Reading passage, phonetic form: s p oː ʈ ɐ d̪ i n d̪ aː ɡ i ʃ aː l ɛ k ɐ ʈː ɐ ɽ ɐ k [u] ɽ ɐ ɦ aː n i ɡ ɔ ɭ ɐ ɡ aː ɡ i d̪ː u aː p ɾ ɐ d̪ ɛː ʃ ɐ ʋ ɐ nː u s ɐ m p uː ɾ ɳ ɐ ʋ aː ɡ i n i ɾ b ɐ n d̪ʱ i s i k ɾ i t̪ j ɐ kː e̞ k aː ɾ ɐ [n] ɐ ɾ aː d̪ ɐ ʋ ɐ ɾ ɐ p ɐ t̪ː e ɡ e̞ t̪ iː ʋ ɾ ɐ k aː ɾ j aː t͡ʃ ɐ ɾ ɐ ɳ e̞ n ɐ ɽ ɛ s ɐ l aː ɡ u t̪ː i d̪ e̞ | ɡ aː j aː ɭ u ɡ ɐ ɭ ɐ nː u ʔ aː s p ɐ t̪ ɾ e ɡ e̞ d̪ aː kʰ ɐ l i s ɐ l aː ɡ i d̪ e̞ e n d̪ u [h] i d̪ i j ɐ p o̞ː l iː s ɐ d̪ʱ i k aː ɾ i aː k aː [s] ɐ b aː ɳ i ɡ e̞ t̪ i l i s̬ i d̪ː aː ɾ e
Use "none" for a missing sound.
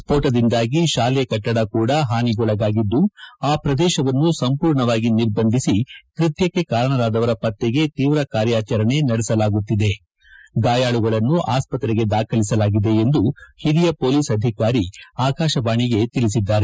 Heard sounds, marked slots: uː, ɳ, h, ʃ

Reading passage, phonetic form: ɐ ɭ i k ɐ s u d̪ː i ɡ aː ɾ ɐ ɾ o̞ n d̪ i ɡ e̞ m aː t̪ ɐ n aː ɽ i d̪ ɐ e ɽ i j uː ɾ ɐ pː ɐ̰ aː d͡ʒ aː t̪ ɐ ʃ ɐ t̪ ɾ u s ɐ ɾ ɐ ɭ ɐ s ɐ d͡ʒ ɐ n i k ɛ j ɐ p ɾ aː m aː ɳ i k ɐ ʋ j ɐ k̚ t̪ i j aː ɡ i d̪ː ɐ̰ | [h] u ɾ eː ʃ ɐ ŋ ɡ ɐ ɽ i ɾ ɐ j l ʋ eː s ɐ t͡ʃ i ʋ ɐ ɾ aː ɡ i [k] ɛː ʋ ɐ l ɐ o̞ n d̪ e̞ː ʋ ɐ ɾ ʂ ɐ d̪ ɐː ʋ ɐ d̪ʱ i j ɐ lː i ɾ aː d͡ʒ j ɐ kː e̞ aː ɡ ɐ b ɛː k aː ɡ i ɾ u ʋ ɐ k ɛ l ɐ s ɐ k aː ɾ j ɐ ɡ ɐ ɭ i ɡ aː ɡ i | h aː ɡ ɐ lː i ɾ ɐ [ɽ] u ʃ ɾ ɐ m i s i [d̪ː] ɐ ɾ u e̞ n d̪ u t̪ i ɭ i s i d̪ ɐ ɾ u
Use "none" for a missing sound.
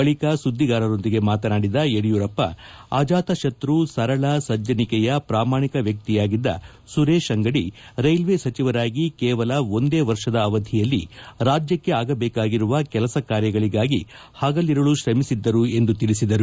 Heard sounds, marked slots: s, k, ɭ, d̪ː

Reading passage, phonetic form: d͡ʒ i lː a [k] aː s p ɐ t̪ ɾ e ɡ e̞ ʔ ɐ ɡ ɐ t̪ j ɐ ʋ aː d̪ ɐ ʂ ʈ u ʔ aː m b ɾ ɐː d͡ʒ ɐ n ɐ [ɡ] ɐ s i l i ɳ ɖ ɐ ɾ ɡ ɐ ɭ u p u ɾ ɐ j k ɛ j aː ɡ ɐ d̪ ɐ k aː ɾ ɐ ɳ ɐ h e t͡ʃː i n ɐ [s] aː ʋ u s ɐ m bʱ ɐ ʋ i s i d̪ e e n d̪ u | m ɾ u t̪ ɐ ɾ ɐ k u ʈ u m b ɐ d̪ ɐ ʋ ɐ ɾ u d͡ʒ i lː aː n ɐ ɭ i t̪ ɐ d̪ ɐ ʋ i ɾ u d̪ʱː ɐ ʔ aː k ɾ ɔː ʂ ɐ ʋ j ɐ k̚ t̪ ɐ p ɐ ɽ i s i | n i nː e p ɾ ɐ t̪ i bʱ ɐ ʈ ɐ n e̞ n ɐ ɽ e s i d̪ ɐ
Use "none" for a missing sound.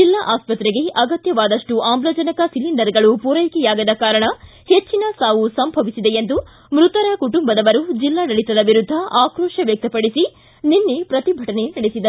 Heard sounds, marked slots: ʔ, k, s

